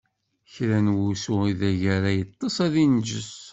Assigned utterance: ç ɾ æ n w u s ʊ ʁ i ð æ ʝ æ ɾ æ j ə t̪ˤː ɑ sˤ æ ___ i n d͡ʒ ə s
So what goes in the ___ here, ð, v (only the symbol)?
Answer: ð